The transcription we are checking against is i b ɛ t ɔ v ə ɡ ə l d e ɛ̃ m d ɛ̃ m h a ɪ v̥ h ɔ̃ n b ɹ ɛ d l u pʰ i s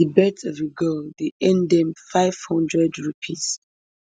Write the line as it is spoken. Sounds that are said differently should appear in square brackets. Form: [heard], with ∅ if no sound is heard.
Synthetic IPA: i b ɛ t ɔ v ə ɡ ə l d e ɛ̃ [n] d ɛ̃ m [f] a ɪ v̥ h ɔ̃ n [d] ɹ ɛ d [ɹ] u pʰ i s